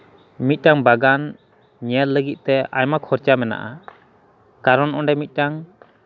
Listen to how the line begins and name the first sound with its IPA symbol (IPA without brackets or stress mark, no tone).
m